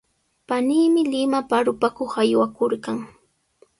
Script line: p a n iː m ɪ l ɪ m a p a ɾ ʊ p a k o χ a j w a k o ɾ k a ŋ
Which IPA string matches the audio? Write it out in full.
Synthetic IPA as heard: p a n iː m ɪ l ɪ m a p a ɾ ʊ p a k o χ a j w a k o ɾ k a ŋ

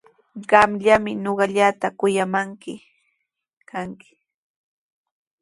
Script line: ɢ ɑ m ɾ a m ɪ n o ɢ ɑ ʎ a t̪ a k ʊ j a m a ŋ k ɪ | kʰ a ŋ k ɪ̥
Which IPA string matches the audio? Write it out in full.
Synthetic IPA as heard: ɢ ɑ m ʎ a m ɪ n o ɢ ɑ ʎ a t̪ a k ʊ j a m a ŋ k ɪ | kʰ a ŋ k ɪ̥

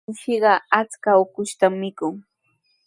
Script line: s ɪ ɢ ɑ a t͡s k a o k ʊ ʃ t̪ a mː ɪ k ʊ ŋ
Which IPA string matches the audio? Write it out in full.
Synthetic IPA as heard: ʃ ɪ ɢ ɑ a t͡s k a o k ʊ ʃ t̪ a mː ɪ k ʊ ŋ

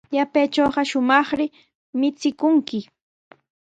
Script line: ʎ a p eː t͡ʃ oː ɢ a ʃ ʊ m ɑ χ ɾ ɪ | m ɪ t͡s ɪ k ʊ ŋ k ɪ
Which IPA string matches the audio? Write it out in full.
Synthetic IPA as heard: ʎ a p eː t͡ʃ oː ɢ ɑ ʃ ʊ m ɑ χ ɾ ɪ | m ɪ t͡s ɪ k ʊ ŋ k ɪ

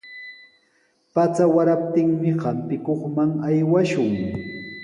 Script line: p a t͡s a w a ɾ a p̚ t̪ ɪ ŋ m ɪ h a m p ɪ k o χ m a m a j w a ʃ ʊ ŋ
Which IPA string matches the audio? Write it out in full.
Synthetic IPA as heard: p a t͡s a w a ɾ a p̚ t̪ ɪ ŋ m ɪ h a m p ɪ k o χ m a ŋ a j w a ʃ ʊ ŋ

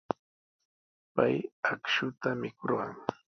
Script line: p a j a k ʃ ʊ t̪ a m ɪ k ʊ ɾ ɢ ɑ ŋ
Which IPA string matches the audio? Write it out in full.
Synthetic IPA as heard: p a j a k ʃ ʊ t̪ a m ɪ k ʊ ɾ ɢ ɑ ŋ

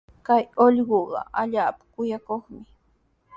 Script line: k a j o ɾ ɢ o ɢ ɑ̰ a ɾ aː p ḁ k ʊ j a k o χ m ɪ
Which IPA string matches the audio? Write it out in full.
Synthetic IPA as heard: k a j o ʎ ɢ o ɢ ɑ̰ a ʎ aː p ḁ k ʊ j a k o χ m ɪ

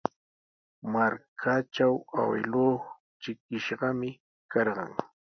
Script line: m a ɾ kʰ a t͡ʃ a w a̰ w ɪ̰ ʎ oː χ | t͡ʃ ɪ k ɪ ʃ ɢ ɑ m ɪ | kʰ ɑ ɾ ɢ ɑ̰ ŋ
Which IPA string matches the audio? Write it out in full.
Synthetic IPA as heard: m a ɾ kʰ a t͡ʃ a w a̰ w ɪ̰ l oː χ | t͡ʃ ɪ k ɪ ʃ ɢ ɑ m ɪ | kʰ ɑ ɾ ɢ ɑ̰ ŋ

